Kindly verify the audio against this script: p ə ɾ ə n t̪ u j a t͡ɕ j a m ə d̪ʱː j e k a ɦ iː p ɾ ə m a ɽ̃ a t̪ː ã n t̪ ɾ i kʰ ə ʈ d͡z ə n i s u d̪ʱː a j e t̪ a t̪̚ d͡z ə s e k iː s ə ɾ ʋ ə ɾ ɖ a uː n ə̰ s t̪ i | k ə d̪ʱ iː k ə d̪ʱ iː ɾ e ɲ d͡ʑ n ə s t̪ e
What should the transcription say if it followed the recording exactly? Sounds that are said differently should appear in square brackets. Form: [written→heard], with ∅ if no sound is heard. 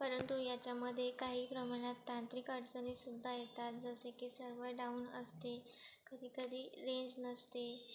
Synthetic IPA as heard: p ə ɾ ə n t̪ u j a t͡ɕ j a m ə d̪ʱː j e k a ɦ iː p ɾ ə m a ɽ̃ a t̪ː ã n t̪ ɾ i [kʰ→k] ə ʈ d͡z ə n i s u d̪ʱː a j e t̪ a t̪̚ d͡z ə s e k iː s ə ɾ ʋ ə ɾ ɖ a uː n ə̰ s t̪ [i→e] | k ə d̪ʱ iː k ə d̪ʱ iː ɾ e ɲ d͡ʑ n ə s t̪ e

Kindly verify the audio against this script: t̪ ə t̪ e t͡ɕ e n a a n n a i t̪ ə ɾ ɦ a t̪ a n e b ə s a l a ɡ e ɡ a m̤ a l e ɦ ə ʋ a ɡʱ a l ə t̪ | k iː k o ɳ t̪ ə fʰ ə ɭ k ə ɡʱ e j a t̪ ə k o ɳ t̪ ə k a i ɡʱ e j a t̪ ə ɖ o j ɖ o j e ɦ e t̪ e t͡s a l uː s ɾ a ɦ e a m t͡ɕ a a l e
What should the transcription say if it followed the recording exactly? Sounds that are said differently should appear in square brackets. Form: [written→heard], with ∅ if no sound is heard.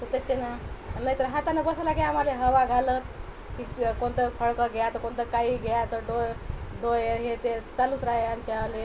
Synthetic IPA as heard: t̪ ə t̪ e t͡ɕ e n a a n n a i t̪ ə ɾ ɦ a t̪ a n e b ə s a l a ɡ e [ɡ→∅] a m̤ a l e ɦ ə ʋ a ɡʱ a l ə t̪ | k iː k o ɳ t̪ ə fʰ ə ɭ k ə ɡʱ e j a t̪ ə k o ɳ t̪ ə k a i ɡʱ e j a t̪ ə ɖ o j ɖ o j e ɦ e t̪ e t͡s a l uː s ɾ a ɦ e a m t͡ɕ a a l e

